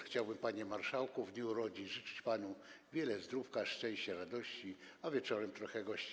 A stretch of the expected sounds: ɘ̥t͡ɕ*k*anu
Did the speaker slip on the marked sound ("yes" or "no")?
yes